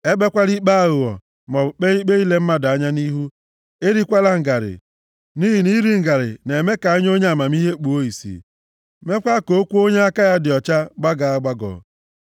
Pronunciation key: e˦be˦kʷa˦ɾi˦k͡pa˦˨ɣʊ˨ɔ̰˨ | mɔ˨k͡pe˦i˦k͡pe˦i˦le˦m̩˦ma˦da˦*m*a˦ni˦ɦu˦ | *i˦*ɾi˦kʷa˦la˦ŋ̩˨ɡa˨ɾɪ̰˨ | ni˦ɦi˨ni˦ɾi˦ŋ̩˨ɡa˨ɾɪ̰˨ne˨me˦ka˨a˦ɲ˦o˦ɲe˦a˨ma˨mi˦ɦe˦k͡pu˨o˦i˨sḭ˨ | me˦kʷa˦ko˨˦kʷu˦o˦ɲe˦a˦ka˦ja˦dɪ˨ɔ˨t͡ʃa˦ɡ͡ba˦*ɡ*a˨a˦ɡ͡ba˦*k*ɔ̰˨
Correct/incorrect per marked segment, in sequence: incorrect: ɲ, incorrect: e˦, correct, incorrect: ɡ

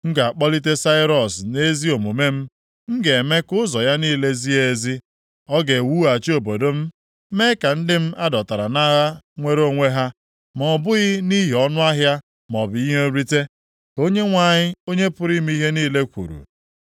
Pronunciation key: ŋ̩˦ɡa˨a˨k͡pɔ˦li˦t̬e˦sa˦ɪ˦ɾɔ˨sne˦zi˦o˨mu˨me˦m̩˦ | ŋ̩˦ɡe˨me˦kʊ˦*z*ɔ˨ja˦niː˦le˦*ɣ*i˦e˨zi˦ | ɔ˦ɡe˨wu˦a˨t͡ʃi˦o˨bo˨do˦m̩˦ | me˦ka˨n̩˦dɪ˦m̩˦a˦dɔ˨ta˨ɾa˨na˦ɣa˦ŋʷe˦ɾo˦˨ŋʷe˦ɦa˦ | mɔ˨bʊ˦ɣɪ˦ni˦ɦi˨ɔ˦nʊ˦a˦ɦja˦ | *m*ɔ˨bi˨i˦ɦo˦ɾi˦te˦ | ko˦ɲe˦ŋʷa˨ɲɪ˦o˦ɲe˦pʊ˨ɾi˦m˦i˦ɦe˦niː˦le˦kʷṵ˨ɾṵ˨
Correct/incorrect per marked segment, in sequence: correct, incorrect: z, correct

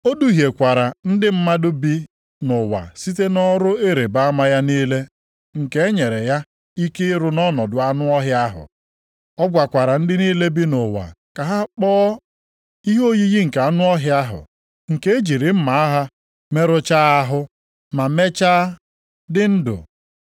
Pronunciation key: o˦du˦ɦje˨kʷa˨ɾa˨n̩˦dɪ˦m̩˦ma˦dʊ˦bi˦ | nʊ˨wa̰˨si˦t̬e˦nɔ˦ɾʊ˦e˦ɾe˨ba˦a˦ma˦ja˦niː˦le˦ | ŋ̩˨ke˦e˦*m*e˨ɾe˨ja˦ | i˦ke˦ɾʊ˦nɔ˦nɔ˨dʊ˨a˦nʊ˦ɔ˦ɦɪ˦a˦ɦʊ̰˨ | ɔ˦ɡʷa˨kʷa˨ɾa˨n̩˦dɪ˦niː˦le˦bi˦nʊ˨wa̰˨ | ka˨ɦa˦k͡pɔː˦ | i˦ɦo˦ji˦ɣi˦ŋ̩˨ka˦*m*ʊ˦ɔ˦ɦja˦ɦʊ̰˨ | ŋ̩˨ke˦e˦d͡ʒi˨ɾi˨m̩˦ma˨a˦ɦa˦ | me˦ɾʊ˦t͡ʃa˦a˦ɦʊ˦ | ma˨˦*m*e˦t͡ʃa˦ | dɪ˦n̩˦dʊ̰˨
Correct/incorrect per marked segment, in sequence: incorrect: ɲ, incorrect: n, correct

